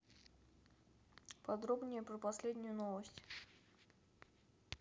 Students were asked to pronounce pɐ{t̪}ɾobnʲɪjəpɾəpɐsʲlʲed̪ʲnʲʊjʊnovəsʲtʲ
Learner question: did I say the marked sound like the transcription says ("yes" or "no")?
no